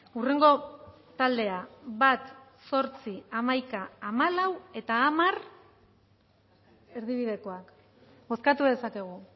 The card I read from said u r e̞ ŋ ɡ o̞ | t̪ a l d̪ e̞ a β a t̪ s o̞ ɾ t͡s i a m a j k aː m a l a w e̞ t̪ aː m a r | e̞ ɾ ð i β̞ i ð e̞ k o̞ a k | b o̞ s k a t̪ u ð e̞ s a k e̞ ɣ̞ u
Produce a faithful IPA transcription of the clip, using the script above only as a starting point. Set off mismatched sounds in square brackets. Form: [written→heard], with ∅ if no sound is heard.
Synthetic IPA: u r e̞ ŋ ɡ o̞ | t̪ a l d̪ e̞ a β a t̪ s o̞ ɾ t͡s i a m a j k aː m a l a w e̞ t̪ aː m a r | e̞ ɾ ð i β̞ i ð e̞ k o̞ a k | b o̞ s k a t̪ u ð e̞ s a k e̞ ɣ̞ u